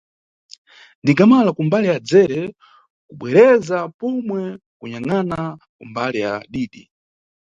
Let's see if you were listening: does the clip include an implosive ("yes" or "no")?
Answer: yes